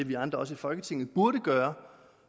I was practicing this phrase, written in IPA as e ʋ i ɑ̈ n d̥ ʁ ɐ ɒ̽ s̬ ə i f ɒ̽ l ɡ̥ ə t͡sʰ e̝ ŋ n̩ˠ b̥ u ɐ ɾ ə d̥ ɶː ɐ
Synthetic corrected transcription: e ʋ i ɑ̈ n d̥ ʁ ɐ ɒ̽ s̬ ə i f ɒ̽ l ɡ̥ ə t͡sʰ e̝ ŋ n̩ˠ b̥ u ɐ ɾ ə ɡ̥ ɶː ɐ